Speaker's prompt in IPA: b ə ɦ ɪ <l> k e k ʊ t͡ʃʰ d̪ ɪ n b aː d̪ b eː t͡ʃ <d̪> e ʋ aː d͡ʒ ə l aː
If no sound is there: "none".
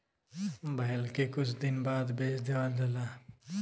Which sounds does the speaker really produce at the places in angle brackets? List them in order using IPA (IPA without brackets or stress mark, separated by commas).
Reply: l, d̪